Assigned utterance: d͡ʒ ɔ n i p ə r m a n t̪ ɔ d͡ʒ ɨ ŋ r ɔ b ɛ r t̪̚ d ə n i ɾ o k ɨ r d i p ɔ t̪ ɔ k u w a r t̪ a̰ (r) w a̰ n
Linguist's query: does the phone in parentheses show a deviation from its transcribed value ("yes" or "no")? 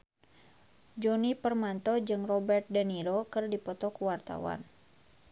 yes